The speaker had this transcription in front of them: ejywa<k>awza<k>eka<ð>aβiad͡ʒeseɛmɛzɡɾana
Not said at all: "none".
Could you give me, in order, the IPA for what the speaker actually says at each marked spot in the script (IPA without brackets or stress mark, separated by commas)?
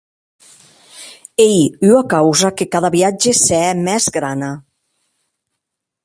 k, k, ð